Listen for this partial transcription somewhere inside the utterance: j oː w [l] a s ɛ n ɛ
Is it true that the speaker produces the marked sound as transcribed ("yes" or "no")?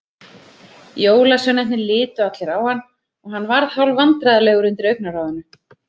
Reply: yes